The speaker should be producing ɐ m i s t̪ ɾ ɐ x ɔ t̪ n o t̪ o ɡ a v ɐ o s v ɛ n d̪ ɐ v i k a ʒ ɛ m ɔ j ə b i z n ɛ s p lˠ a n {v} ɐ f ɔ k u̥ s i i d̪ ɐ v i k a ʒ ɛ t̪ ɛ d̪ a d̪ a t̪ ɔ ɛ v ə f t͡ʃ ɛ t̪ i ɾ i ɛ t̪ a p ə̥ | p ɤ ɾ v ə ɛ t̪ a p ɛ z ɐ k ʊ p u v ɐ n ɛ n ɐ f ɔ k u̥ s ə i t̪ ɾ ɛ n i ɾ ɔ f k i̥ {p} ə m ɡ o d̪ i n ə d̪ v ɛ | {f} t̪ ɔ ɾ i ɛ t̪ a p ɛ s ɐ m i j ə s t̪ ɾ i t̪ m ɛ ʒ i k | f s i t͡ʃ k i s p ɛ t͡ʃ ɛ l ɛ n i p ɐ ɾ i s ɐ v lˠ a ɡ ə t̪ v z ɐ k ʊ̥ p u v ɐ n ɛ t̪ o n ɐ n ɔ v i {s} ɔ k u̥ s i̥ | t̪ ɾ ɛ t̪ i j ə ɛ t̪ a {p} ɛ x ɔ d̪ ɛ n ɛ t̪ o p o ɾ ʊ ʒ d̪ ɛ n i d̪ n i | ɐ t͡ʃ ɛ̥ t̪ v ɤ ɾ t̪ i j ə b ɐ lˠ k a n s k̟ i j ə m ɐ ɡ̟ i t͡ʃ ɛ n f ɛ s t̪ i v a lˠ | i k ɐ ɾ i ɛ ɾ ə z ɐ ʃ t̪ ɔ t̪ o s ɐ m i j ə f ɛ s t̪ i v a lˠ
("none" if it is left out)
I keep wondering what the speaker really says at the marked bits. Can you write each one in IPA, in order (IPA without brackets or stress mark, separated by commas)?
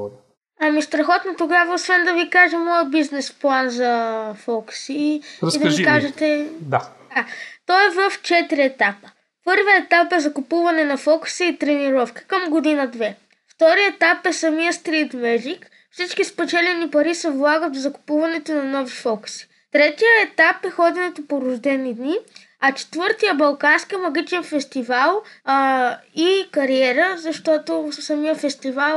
z, k, f, f, p